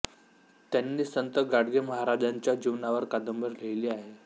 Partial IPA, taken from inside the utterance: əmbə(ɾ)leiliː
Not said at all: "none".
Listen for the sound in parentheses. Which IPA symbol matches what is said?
ɾ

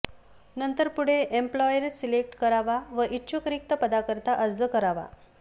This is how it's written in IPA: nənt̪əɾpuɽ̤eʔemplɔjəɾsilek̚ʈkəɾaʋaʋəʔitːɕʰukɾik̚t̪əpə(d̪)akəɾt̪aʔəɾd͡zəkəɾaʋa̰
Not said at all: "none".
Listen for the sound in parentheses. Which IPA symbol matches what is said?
d̪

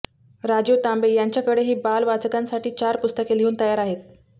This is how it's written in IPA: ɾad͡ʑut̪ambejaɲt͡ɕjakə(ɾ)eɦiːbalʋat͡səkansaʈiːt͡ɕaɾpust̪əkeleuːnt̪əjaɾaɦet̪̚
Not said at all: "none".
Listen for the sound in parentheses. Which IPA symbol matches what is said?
ɽ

